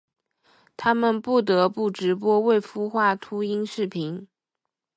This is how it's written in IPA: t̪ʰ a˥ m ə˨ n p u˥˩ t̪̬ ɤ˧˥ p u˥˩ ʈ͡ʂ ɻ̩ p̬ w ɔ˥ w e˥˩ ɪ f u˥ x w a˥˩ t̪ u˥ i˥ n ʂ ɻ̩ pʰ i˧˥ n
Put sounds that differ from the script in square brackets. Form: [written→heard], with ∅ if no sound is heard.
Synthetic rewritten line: t̪ʰ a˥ m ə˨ n p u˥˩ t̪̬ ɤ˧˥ p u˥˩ ʈ͡ʂ ɻ̩ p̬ w ɔ˥ w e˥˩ ɪ f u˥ x w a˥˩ [t̪→t̪ʰ] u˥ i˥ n ʂ ɻ̩ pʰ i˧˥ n